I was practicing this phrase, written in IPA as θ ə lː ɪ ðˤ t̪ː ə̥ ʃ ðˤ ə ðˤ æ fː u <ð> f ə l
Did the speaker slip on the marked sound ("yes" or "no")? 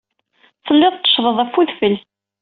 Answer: no